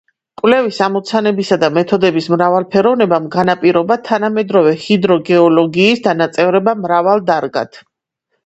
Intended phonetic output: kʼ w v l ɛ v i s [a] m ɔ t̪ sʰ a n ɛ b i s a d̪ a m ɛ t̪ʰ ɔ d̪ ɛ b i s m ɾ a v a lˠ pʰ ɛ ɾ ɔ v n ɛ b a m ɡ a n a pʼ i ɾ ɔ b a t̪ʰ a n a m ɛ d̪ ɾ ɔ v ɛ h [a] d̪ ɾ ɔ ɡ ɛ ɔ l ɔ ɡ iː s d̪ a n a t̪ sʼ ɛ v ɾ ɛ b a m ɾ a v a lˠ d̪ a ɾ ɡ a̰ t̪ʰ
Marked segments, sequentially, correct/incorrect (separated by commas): correct, incorrect